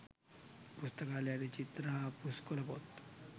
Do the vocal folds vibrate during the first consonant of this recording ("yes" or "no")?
no